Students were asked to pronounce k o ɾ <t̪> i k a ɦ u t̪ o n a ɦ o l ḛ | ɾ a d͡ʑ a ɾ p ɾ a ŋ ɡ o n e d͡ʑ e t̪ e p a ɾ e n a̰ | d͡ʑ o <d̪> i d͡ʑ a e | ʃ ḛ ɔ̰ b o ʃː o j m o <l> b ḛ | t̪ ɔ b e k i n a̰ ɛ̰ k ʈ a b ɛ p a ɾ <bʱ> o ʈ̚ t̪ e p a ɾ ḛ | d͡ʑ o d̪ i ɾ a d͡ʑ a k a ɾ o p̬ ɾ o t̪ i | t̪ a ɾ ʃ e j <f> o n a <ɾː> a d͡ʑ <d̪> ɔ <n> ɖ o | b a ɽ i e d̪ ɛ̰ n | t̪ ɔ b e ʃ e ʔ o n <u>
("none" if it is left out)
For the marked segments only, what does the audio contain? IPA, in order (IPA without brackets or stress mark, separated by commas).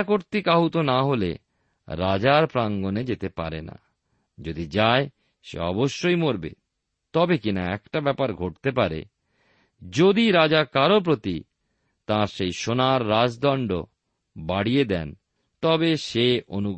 t̪, d̪, ɾ, ɡʱ, ʃ, ɾː, d̪, ɳ, u